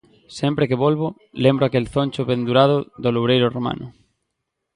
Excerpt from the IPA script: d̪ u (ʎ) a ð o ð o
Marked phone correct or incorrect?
incorrect